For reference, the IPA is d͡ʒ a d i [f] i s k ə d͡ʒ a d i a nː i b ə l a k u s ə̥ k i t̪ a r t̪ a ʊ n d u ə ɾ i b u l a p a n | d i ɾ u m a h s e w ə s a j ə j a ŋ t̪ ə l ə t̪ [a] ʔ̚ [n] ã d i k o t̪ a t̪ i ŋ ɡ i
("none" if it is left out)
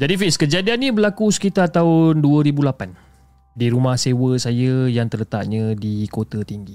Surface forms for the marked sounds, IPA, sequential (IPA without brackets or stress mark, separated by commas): f, a, ɲ